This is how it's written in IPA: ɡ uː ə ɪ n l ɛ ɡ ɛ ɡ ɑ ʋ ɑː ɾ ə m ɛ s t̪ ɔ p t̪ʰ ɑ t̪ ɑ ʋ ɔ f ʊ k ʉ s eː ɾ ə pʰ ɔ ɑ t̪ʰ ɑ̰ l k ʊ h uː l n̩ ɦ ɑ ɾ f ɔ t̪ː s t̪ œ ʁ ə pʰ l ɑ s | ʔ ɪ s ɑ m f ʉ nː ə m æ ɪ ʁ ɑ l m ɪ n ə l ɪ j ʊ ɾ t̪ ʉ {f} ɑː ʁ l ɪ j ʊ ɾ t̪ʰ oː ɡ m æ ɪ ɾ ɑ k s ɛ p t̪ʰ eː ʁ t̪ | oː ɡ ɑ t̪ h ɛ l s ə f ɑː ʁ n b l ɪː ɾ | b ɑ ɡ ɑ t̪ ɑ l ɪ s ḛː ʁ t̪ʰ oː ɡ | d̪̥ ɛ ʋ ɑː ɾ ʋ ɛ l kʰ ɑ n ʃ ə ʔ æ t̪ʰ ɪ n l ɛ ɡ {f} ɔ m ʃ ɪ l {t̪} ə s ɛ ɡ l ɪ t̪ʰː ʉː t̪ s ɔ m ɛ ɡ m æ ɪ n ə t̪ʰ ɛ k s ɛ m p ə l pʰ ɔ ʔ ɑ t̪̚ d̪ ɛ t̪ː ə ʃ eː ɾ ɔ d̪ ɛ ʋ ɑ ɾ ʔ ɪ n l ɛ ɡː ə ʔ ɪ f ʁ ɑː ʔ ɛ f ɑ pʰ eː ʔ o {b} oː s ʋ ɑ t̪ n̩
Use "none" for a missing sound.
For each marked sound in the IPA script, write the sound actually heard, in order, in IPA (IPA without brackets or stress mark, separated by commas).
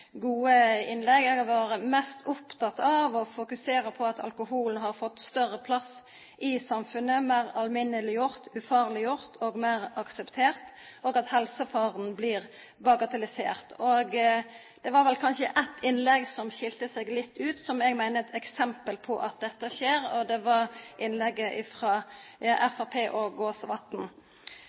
f, s, t̪, ɡ